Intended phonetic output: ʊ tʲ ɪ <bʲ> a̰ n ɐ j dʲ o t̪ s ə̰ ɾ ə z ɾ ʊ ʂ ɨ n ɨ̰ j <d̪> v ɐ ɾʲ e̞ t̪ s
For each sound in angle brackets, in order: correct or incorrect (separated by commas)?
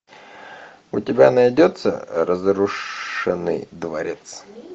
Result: correct, correct